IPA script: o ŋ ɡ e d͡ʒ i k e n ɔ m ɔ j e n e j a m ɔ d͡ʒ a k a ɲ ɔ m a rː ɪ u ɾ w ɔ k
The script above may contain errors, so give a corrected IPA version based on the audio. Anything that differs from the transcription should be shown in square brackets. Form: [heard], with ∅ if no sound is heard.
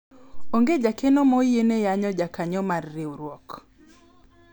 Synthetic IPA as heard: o ŋ ɡ e d͡ʒ [a] k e n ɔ m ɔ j e n e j a [ɲ] ɔ d͡ʒ a k a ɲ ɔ m a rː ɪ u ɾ w ɔ k